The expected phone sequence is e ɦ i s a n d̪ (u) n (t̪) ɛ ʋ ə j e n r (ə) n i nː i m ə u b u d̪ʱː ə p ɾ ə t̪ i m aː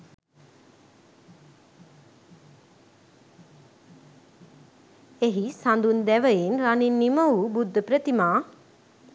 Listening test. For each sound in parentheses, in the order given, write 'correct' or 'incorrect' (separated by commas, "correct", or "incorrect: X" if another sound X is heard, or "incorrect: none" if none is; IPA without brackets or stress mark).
correct, incorrect: d̪, incorrect: a